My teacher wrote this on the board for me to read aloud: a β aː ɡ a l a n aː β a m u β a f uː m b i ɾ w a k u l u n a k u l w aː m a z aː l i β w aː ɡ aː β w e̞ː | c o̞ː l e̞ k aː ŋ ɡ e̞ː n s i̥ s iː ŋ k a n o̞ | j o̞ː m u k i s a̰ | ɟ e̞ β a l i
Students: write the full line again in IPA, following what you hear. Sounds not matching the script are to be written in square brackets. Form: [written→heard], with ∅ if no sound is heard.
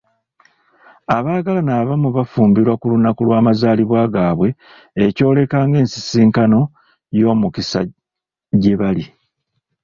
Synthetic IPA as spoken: a β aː ɡ a l a n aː β a m u β a f uː m b i ɾ w a k u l u n a k u l w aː m a z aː l i β w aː ɡ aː β w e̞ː | c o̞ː l e̞ k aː ŋ ɡ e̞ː n s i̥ s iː ŋ k a n o̞ | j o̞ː m u k i s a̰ | ɟ e̞ β a l i